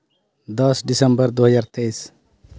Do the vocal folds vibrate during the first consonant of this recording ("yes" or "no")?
yes